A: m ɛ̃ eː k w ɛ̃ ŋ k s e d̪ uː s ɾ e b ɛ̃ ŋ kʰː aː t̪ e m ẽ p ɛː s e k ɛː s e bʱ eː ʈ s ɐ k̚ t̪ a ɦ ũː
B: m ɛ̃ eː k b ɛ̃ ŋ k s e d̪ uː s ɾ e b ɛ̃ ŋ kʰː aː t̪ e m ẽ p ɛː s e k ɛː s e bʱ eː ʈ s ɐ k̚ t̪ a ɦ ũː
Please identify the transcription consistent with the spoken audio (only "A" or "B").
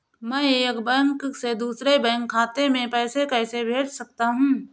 B